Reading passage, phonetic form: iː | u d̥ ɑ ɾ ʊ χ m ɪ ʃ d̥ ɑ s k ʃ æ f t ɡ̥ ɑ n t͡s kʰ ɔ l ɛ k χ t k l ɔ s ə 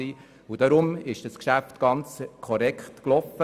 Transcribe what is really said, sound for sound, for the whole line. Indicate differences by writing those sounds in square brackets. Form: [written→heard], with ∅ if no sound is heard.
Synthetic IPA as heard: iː | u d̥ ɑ ɾ ʊ [χ→∅] m ɪ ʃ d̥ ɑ s k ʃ æ f t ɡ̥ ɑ n t͡s kʰ ɔ [l→ɾ] ɛ k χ t k l ɔ [s→f] ə

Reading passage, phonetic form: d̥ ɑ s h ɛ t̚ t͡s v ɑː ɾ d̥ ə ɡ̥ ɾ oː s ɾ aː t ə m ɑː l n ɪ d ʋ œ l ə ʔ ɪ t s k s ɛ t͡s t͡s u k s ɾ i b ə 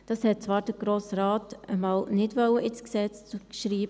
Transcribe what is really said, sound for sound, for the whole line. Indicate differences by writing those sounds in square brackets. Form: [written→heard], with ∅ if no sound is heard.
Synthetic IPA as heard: d̥ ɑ s h ɛ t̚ t͡s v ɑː ɾ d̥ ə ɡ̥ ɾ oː s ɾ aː t ə m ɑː l n ɪ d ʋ œ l ə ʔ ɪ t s k s ɛ t͡s t͡s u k [s→ʃ] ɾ [i→iː] b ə

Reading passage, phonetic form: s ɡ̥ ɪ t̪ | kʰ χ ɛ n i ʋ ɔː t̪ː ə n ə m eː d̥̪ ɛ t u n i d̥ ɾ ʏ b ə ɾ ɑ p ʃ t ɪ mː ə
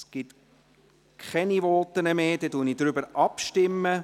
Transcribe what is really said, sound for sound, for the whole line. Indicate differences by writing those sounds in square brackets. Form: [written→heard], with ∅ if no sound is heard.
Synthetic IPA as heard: s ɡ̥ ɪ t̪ | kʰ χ ɛ n i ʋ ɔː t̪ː ə n ə m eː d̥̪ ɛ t u n i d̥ ɾ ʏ b ə ɾ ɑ p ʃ t ɪ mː ə

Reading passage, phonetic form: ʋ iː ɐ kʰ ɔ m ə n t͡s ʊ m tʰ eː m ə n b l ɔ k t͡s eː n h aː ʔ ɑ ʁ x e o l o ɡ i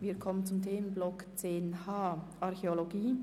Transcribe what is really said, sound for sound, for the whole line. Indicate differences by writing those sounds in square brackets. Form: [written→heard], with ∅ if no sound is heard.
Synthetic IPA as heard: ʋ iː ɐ kʰ ɔ m ə n t͡s ʊ m tʰ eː m ə n b l ɔ k t͡s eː n h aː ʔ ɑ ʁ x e o l o ɡ [i→iː]

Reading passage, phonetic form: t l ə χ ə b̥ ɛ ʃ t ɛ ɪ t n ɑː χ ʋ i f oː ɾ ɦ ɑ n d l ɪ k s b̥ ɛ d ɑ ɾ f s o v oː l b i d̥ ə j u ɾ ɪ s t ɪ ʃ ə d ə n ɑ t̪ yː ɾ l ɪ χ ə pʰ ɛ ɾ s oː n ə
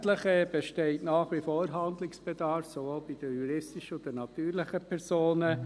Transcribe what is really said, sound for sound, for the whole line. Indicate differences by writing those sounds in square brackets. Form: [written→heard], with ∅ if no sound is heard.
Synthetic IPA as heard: t l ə χ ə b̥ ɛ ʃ t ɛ ɪ t n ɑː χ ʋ i f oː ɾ ɦ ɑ n d l ɪ k s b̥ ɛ d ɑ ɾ f s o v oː l b i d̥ ə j u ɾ ɪ s t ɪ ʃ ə d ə n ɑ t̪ yː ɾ l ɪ χ ə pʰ ɛ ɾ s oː n ə

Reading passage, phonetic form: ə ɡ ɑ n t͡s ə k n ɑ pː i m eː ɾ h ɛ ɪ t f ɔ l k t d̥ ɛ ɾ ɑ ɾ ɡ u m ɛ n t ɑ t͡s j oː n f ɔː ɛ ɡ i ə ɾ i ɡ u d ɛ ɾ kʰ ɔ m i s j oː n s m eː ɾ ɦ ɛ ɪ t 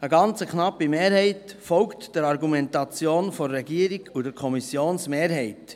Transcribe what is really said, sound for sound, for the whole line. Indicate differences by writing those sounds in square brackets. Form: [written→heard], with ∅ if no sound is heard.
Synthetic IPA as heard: ə ɡ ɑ n t͡s ə k n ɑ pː i m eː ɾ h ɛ ɪ t f ɔ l k t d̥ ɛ ɾ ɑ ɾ ɡ u m ɛ n t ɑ t͡s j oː n f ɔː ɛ ɡ i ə ɾ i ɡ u d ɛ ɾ kʰ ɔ m i s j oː n s m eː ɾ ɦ ɛ ɪ t

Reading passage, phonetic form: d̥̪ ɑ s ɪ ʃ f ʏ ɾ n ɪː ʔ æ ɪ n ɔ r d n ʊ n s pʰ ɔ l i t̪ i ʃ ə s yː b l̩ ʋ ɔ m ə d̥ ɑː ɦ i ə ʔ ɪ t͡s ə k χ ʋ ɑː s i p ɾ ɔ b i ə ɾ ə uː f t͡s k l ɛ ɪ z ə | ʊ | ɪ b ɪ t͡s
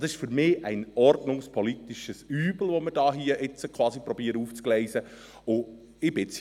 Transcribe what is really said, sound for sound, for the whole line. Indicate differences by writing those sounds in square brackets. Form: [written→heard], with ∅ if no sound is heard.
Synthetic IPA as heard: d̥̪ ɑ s ɪ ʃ f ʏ ɾ [n→m] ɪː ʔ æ ɪ n ɔ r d n ʊ [n→ŋ] s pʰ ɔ l i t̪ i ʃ ə s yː b l̩ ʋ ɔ m ə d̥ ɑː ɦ i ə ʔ ɪ t͡s ə k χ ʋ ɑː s i p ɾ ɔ b i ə ɾ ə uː f t͡s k l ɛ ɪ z ə | ʊ | ɪ b ɪ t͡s

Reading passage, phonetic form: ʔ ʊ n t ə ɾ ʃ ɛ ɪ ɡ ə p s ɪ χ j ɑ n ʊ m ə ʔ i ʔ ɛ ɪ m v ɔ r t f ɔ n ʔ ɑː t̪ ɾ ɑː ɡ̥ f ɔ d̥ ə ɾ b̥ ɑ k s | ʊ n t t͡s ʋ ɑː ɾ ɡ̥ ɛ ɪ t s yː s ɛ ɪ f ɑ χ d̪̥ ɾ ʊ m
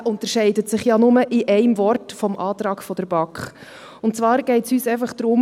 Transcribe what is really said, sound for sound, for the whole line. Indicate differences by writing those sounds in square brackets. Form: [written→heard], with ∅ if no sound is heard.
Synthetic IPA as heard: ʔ ʊ n t ə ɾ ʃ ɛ ɪ [ɡ→d] ə [p→t] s ɪ χ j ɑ n ʊ m ə ʔ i ʔ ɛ ɪ m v ɔ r t f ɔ [n→m] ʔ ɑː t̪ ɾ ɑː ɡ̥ f ɔ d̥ ə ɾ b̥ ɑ k [s→χ] | ʊ n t t͡s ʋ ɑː ɾ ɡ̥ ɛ ɪ t s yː s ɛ ɪ f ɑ χ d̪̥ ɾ ʊ m

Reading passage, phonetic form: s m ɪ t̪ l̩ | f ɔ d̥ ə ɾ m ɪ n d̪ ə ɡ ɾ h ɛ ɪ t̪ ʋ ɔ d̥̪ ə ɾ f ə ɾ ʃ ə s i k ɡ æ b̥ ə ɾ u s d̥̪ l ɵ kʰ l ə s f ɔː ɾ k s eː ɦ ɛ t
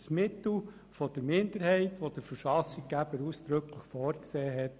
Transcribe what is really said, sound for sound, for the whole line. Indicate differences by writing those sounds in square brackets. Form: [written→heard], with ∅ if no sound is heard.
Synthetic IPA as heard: s m ɪ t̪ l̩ | f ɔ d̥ ə ɾ m ɪ n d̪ ə [ɡ→∅] ɾ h ɛ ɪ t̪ ʋ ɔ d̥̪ ə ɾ f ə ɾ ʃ [ə→ɑ] s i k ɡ æ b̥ ə ɾ u s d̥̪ [l→ɾ] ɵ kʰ l ə [s→χ] f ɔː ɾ k s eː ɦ ɛ t

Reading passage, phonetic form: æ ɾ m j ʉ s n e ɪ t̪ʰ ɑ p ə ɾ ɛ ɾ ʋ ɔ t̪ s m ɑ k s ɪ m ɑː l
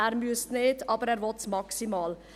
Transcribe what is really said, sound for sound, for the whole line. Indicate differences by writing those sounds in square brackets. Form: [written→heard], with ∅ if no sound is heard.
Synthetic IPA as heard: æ ɾ m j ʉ s n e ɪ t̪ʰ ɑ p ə ɾ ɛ ɾ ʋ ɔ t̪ s m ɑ k s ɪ m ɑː l

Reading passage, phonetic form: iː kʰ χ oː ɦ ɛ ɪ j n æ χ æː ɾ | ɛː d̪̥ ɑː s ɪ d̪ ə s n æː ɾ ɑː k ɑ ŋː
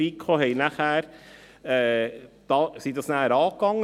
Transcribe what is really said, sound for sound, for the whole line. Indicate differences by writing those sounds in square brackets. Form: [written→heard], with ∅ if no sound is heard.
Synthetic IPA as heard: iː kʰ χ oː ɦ ɛ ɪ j n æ χ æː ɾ | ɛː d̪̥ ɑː s [ɪ→i] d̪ [ə→ɑ] s n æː ɾ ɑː k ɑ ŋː

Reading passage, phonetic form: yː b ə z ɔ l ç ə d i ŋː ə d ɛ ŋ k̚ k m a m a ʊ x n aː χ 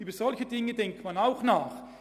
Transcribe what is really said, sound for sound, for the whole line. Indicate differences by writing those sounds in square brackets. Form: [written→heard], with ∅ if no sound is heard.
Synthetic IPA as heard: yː b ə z ɔ l ç ə d [i→ɪ] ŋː ə d ɛ ŋ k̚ [k→t] m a [m→n] a ʊ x n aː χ

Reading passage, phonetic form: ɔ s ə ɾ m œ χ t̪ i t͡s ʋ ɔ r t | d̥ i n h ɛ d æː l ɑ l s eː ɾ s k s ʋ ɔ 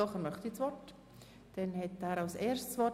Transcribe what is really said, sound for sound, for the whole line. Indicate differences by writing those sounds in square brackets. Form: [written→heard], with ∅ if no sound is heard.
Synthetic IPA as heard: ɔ [s→χ] ə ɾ m œ χ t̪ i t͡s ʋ ɔ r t | d̥ [i→ɛ] n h ɛ [d→t] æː [l→ɾ] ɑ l s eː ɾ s [k→t] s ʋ ɔ

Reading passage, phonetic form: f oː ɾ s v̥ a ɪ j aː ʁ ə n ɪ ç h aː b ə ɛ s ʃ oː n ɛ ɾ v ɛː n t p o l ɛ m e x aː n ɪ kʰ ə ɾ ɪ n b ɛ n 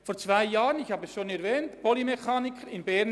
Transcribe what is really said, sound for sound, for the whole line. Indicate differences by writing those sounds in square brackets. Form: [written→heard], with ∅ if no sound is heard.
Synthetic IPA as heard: f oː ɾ [s→t͡s] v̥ a ɪ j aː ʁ ə n ɪ ç h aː b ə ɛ s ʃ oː n ɛ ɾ v ɛː n t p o l [ɛ→i] m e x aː n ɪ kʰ ə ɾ ɪ n b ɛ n

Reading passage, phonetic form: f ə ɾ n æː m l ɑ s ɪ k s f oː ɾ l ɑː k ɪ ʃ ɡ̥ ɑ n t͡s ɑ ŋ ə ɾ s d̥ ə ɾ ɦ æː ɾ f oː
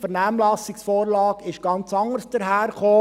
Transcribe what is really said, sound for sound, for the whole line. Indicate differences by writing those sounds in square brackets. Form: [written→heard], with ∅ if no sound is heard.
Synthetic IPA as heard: f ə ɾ n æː m l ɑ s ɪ k s f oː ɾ l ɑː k ɪ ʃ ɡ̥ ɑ n t͡s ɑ ŋ ə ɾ s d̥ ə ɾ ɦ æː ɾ [f→χ] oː

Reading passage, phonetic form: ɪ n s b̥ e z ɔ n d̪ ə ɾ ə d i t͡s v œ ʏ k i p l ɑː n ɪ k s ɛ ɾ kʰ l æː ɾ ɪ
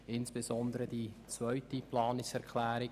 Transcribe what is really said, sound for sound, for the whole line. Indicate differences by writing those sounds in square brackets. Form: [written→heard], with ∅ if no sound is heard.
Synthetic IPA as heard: ɪ n s b̥ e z ɔ n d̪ ə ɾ ə d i t͡s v œ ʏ [k→t] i p l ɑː n ɪ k s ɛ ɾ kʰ l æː ɾ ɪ

